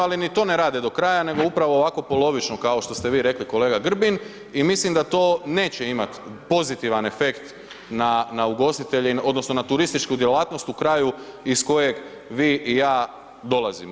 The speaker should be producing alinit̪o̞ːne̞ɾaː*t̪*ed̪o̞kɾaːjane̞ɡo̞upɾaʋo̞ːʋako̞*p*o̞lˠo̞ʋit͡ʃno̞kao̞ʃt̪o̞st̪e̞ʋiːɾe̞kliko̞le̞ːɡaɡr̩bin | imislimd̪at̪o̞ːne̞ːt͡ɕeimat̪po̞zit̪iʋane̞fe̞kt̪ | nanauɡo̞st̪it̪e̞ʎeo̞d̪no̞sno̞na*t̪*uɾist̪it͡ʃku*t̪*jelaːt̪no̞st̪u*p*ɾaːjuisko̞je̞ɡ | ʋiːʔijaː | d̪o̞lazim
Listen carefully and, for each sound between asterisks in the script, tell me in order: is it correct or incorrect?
incorrect: d̪, correct, correct, incorrect: d̪, incorrect: k

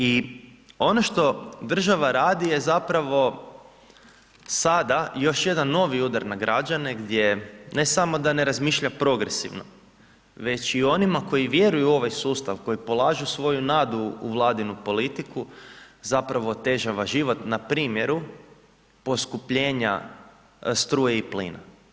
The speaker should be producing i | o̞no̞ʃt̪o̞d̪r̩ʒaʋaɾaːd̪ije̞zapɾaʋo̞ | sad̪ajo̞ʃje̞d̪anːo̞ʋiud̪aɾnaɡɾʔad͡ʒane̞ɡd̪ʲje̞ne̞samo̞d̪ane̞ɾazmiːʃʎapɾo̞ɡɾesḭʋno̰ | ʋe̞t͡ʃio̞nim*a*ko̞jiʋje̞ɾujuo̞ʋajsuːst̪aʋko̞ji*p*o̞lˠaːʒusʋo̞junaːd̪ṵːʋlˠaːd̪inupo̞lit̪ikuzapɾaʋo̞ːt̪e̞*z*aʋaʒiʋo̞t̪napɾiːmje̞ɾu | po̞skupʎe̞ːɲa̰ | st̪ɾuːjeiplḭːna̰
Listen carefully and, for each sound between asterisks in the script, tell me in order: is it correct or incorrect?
correct, correct, incorrect: ʒ

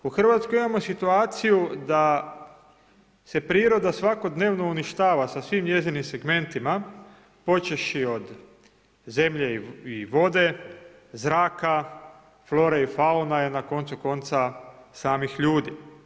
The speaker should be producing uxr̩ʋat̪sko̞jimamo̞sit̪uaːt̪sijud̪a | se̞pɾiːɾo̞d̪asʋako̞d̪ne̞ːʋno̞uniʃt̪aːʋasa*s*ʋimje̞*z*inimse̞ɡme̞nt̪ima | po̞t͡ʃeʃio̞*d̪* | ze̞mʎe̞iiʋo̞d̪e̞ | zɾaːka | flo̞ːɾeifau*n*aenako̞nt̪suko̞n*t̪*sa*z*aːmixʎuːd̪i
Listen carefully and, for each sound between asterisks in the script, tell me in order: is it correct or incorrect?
correct, correct, correct, correct, correct, incorrect: s

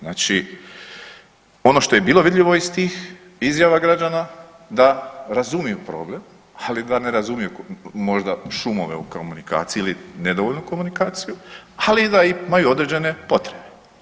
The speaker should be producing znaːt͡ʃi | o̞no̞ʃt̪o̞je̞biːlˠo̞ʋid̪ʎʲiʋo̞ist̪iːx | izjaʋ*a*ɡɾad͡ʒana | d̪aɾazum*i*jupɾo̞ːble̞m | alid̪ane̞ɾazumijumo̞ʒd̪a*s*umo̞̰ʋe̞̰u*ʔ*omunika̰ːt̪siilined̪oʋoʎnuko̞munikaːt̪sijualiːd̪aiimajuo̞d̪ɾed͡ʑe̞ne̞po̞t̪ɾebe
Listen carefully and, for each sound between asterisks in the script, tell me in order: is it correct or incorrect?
correct, correct, incorrect: ʃ, incorrect: k

